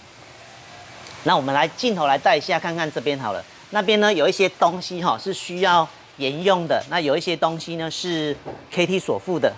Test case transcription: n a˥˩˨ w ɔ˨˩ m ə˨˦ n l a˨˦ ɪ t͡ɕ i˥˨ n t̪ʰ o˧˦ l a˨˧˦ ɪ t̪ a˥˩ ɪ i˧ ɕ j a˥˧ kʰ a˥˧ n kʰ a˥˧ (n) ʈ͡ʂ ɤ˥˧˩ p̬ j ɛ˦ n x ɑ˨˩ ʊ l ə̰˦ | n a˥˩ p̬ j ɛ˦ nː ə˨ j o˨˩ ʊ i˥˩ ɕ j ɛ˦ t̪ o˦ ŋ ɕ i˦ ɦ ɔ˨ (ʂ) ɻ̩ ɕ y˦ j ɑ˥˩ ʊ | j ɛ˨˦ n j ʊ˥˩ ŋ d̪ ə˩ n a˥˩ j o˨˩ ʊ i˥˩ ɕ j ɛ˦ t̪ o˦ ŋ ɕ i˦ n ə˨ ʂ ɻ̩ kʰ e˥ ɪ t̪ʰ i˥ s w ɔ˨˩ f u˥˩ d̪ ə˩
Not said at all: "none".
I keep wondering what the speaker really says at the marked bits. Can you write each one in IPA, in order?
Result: n, ʂ

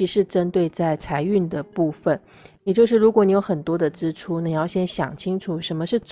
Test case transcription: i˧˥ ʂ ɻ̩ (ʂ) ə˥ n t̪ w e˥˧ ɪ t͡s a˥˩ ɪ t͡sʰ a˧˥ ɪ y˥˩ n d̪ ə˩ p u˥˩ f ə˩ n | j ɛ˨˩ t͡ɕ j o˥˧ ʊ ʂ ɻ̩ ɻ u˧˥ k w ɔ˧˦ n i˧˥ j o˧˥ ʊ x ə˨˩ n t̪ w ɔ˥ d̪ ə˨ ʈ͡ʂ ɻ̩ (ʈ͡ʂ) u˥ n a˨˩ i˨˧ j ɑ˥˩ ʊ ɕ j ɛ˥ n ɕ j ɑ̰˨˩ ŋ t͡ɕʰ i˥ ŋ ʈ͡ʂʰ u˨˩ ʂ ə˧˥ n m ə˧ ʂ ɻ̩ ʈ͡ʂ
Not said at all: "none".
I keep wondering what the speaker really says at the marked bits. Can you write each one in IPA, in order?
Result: ʈ͡ʂ, ʈ͡ʂʰ

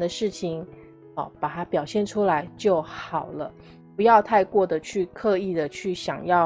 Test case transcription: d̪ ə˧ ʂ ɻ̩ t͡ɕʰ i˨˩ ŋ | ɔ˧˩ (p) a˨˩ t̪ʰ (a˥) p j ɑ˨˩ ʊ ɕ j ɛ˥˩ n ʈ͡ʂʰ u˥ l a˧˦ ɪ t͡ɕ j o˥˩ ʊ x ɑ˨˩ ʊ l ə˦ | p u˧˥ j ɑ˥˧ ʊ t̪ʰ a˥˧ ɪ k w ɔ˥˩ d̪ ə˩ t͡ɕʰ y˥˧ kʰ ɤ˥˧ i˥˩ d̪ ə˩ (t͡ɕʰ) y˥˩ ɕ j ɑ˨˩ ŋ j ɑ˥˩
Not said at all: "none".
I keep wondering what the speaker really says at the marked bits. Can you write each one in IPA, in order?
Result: p, a˥, t͡ɕʰ

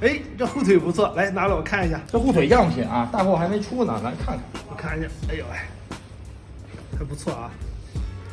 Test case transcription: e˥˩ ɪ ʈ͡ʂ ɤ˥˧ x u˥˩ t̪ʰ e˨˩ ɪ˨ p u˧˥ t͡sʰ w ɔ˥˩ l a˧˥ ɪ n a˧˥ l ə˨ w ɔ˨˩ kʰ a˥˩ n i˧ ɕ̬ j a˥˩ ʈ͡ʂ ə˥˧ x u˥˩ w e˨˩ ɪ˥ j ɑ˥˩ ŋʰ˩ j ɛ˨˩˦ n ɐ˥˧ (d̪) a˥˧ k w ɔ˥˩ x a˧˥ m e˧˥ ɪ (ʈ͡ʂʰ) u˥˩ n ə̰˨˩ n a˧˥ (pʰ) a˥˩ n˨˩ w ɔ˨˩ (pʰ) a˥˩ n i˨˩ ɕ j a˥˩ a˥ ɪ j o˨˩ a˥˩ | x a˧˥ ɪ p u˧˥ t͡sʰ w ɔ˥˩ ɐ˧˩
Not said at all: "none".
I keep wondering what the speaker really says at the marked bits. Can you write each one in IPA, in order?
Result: t̪, ʈ͡ʂʰ, kʰ, kʰ

